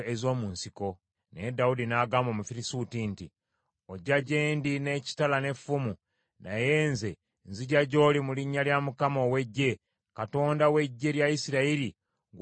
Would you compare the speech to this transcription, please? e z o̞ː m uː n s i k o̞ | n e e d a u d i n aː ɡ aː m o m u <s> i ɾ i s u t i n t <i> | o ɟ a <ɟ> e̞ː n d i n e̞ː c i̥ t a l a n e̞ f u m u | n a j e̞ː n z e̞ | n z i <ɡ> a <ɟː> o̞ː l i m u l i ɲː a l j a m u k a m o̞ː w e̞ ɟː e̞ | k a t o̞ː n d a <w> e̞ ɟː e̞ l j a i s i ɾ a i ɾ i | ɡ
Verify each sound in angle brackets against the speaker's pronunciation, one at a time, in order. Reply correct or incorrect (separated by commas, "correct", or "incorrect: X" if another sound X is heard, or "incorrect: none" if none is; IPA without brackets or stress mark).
incorrect: f, correct, correct, incorrect: ɟ, incorrect: ɟ, correct